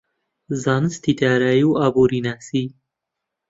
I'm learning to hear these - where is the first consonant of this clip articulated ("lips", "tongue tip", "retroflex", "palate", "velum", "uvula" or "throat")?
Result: tongue tip